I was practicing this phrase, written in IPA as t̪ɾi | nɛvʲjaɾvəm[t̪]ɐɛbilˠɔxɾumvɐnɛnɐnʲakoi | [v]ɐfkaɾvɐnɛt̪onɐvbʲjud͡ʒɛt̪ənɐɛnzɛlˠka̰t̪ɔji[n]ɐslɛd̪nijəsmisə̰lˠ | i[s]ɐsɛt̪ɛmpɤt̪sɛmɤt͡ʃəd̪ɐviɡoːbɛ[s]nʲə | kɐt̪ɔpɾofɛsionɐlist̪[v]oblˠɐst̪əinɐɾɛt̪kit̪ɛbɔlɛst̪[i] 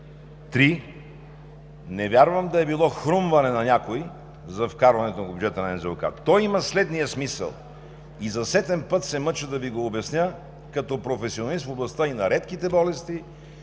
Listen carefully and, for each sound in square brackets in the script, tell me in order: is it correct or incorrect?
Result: incorrect: d̪, incorrect: z, incorrect: m, incorrect: z, correct, incorrect: f, correct

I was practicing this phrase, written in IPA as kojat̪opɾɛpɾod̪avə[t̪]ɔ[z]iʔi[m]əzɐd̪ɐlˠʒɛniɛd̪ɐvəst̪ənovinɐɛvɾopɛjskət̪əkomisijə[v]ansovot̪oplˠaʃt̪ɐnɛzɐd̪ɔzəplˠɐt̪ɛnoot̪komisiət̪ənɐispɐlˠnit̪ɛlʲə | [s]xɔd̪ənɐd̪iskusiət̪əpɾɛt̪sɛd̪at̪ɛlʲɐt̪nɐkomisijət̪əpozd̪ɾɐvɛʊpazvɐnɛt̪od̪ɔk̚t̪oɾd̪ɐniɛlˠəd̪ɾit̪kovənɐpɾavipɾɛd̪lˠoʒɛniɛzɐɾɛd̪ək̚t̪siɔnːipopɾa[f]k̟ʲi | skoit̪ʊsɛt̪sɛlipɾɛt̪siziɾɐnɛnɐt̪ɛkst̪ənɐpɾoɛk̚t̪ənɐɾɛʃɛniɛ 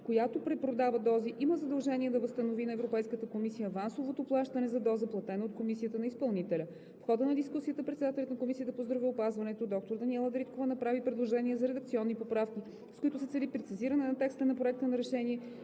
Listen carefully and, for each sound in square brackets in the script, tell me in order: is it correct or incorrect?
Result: incorrect: d̪, correct, correct, correct, incorrect: f, correct

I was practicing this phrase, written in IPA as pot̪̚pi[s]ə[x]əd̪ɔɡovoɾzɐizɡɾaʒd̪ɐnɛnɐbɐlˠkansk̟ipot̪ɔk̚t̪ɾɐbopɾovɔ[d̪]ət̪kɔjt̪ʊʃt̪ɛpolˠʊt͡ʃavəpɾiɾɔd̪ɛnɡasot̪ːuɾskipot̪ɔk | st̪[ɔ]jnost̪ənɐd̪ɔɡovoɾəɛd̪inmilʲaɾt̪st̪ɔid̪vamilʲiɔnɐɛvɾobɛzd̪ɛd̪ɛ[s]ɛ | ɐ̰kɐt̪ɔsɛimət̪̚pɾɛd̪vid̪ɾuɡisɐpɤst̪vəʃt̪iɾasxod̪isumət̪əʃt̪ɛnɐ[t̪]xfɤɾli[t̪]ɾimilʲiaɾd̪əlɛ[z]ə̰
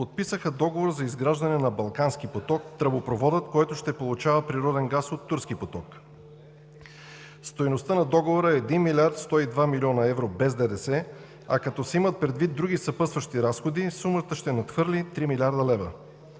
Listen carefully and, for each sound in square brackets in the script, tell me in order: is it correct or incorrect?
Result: correct, correct, correct, incorrect: o, correct, correct, correct, incorrect: v

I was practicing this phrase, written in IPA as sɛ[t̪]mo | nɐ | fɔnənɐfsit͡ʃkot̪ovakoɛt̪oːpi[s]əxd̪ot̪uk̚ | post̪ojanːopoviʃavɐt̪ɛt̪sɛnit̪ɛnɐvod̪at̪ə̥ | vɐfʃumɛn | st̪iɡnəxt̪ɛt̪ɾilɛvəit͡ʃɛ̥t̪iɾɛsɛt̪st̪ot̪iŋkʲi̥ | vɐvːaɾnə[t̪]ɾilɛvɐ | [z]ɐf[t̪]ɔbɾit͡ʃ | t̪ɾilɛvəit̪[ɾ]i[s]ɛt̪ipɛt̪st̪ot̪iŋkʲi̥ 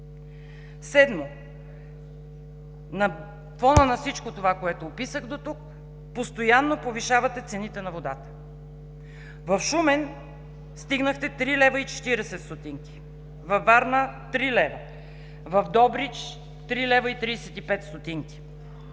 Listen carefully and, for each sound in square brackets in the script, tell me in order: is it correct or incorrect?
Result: incorrect: d̪, correct, correct, incorrect: v, incorrect: d̪, correct, correct

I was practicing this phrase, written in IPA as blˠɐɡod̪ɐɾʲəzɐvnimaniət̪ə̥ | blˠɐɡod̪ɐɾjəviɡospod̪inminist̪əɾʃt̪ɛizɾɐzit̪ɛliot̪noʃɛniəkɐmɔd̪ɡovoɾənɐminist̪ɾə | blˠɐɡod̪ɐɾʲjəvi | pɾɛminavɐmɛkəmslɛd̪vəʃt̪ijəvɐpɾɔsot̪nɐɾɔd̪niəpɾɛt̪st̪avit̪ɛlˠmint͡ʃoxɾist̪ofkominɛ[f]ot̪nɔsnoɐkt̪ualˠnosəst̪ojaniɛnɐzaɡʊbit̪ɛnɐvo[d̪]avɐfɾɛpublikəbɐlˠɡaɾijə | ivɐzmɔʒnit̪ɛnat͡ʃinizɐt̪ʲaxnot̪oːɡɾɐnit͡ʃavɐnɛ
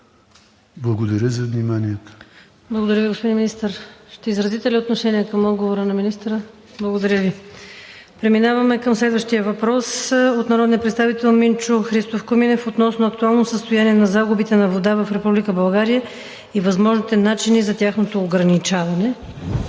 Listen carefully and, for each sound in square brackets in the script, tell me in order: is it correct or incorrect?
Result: correct, correct

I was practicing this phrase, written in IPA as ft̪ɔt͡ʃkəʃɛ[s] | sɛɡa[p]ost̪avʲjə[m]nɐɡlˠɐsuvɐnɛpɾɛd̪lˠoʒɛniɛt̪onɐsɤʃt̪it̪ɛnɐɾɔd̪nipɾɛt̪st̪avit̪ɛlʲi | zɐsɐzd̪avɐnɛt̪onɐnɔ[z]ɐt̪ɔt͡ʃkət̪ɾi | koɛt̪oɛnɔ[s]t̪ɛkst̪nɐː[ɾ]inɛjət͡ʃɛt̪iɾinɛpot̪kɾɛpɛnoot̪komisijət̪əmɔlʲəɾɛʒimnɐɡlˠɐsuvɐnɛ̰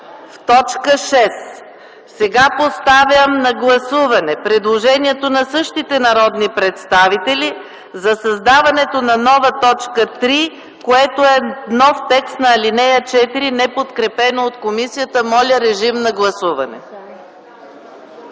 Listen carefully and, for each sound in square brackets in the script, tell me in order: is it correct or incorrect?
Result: correct, correct, correct, incorrect: v, incorrect: f, incorrect: l

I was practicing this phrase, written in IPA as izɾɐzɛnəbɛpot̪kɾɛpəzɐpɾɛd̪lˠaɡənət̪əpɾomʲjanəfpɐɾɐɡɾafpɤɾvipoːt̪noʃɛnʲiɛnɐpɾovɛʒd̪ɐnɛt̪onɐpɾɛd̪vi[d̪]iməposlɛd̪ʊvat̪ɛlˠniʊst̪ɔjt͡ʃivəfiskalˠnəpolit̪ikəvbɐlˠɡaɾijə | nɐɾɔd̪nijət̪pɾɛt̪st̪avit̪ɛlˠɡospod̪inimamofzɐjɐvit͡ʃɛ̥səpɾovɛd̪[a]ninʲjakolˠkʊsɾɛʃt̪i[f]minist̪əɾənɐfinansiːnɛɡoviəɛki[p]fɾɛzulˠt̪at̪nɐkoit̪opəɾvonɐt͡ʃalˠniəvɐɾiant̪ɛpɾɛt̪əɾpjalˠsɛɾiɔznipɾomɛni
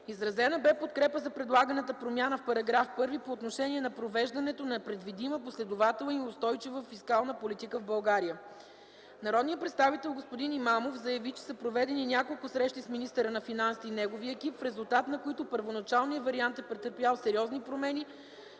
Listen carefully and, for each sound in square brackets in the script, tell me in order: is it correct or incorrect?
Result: correct, incorrect: ɛ, incorrect: s, correct

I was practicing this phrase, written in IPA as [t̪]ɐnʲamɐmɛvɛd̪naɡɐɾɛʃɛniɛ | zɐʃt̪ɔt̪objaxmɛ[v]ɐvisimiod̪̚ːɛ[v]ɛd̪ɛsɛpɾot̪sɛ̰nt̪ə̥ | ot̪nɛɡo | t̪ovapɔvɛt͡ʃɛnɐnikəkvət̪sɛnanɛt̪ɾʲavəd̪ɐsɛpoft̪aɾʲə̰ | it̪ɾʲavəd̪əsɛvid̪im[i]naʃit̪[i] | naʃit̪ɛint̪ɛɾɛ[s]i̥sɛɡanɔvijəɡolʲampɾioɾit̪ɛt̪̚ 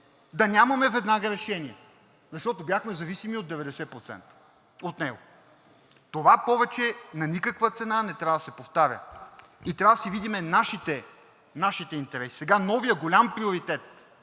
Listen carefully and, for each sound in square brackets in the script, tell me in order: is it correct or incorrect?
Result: incorrect: d̪, incorrect: z, correct, incorrect: ɛ, incorrect: ɛ, correct

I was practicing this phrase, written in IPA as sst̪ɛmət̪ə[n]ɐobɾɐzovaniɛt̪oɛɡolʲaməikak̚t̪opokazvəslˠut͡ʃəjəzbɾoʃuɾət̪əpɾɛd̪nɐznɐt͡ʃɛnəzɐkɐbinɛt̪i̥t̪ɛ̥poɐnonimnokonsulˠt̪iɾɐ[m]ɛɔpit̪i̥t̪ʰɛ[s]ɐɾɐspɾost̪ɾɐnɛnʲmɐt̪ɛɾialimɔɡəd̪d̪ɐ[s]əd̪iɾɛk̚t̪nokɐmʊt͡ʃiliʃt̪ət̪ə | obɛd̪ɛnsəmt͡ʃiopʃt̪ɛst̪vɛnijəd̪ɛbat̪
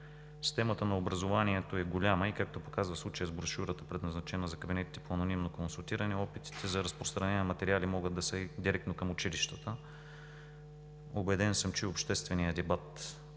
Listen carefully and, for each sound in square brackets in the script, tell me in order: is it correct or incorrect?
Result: correct, incorrect: n, incorrect: z, correct

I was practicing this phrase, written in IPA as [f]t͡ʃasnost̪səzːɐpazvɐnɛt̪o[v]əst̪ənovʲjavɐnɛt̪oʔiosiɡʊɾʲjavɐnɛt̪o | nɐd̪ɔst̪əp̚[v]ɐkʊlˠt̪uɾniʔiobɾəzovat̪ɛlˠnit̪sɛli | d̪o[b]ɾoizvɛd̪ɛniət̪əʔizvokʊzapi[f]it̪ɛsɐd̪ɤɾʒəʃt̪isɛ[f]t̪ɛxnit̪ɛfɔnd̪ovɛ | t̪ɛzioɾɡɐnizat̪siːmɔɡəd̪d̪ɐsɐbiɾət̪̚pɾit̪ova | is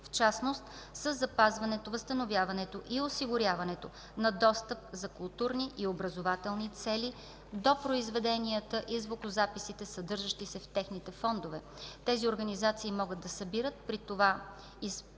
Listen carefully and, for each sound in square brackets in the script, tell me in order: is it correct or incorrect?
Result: correct, correct, incorrect: z, incorrect: p, incorrect: s, correct

